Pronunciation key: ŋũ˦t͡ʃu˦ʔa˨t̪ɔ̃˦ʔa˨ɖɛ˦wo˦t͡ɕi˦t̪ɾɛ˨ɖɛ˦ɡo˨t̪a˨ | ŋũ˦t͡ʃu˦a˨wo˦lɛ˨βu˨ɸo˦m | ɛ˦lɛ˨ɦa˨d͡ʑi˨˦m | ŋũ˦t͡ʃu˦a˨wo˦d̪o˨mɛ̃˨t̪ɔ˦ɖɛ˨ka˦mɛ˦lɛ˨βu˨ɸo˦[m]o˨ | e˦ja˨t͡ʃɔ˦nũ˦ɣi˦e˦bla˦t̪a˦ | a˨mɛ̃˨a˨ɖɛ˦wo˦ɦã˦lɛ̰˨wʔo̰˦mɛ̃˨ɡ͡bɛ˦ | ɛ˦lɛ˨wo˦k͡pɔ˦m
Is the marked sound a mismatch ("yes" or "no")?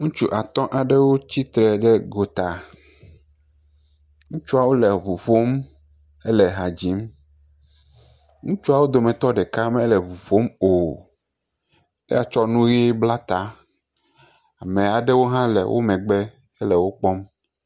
no